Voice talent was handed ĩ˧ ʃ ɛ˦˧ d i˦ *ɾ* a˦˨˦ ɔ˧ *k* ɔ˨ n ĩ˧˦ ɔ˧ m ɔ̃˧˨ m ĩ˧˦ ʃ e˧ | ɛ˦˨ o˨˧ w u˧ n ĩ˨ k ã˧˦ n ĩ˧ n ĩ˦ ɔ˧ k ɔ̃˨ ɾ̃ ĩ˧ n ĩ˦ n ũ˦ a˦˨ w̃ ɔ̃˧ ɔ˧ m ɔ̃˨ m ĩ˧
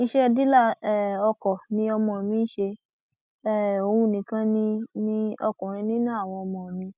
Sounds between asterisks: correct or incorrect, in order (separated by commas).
incorrect, correct